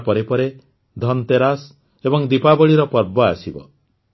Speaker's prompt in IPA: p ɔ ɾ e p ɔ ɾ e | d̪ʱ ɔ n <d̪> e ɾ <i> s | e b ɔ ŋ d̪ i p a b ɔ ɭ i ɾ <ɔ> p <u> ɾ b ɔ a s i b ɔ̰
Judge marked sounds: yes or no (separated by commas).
no, no, yes, no